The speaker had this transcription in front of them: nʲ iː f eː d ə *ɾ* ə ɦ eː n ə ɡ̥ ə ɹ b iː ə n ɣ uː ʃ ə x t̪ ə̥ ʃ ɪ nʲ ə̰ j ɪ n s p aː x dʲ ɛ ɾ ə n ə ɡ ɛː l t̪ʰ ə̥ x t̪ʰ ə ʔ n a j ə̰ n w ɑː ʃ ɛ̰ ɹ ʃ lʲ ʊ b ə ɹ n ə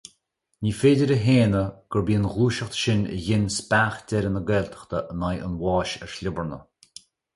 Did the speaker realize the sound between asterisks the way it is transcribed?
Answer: yes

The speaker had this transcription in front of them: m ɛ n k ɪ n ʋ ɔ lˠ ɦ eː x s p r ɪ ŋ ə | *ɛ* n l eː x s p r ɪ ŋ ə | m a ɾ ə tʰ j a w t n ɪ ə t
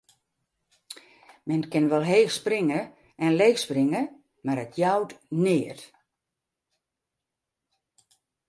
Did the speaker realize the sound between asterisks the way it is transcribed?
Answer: yes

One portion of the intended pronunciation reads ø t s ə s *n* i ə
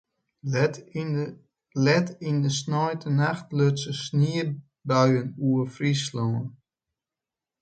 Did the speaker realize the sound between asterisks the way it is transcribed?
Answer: yes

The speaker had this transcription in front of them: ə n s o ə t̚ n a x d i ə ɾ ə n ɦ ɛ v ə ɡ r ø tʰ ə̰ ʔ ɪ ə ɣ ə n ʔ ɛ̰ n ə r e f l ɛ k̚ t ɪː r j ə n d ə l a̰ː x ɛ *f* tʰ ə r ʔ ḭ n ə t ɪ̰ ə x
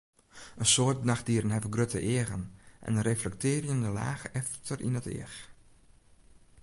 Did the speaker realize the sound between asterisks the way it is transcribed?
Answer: yes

